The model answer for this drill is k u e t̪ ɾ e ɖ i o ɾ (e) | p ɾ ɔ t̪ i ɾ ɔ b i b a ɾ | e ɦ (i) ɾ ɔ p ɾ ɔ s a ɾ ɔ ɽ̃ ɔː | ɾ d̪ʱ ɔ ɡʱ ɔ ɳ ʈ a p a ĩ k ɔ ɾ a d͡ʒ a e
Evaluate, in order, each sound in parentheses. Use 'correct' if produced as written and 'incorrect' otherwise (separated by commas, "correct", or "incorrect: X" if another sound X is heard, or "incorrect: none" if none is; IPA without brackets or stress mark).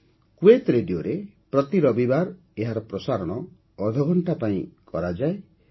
correct, incorrect: a